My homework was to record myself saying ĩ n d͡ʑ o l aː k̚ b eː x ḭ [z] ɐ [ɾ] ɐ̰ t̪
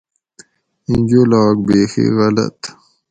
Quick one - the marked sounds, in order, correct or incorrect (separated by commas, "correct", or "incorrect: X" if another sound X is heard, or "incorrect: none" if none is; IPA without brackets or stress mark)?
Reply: incorrect: ɣ, incorrect: l